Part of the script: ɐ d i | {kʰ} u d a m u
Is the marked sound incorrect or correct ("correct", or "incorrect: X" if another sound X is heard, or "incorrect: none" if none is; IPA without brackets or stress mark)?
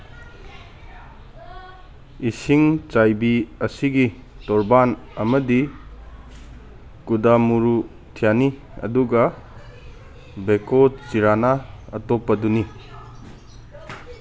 incorrect: k